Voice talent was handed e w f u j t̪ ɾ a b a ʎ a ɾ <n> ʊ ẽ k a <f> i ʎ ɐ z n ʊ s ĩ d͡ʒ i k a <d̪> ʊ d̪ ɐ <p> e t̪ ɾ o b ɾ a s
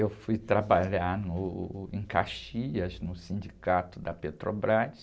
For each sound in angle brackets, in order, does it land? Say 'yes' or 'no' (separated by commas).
yes, no, no, yes